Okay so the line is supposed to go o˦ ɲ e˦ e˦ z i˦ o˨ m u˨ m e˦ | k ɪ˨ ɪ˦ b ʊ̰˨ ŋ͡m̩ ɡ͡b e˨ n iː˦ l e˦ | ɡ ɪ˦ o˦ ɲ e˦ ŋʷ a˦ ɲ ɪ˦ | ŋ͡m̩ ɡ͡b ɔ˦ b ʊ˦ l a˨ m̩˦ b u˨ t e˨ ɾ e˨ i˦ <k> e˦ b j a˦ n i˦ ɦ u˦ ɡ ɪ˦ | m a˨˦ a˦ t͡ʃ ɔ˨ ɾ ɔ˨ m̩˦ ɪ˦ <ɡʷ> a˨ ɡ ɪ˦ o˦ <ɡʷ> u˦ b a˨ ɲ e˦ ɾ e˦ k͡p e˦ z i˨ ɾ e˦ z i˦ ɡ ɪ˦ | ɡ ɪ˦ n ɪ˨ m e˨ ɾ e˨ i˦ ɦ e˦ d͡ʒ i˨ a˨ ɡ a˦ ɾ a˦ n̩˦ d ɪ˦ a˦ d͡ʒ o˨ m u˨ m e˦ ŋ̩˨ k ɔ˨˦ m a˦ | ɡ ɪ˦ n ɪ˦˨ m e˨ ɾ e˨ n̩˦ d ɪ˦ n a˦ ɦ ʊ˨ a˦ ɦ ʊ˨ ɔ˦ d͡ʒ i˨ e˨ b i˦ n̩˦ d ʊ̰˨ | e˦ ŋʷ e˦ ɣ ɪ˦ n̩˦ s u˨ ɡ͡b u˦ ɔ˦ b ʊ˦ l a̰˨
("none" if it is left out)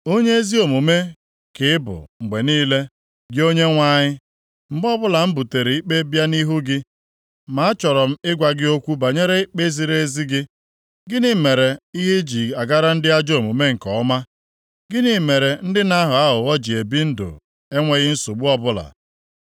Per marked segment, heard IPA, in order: k͡p, ɡʷ, kʷ

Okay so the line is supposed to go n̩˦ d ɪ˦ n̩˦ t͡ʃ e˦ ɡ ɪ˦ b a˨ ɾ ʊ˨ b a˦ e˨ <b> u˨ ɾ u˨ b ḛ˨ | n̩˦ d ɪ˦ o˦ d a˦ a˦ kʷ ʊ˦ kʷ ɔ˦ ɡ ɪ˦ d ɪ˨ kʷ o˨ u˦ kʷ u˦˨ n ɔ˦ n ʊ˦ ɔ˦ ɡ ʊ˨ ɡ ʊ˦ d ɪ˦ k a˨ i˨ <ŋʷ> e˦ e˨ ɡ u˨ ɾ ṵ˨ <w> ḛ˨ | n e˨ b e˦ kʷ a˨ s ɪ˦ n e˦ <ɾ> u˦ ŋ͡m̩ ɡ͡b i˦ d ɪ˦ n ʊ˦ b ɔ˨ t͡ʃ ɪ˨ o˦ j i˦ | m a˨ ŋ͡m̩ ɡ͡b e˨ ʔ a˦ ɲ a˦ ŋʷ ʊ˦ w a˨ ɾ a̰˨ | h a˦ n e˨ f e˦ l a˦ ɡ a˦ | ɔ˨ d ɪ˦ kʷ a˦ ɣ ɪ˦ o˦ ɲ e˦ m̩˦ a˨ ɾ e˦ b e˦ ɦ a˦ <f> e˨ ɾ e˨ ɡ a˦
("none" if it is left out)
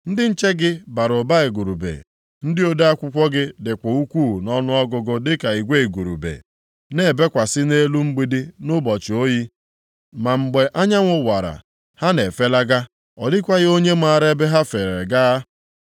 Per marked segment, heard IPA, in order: ɡ, ɡʷ, b, l, f

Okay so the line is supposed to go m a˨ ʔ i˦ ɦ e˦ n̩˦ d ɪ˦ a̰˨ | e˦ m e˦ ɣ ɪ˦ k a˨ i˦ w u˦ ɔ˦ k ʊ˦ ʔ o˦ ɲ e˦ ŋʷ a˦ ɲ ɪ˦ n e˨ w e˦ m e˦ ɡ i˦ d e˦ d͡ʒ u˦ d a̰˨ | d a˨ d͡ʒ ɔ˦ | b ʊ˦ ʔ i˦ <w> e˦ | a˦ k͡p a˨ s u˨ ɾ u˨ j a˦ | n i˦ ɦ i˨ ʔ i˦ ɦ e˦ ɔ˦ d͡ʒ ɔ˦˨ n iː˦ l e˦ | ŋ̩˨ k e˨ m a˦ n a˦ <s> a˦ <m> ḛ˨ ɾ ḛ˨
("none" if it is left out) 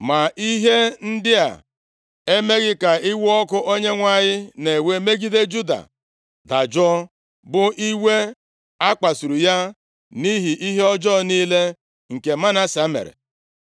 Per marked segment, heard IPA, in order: w, s, m

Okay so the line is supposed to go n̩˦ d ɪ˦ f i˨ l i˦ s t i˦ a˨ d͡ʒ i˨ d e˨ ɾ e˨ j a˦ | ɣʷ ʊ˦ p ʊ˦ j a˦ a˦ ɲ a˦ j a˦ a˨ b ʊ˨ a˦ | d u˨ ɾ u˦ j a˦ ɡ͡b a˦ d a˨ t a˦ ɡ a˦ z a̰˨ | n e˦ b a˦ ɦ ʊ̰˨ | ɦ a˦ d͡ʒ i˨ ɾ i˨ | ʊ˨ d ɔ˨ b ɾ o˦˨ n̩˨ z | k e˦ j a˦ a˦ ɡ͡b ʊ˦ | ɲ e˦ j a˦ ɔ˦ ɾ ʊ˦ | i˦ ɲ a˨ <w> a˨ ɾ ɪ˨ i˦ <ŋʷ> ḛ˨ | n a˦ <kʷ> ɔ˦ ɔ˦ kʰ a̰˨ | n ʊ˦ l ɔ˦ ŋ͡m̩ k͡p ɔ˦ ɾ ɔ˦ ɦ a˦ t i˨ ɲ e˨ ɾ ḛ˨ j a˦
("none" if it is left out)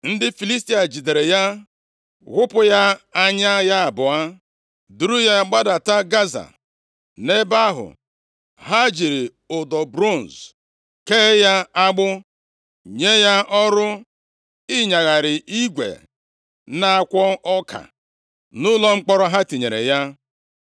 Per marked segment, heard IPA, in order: ɣ, ɡʷ, kʷ

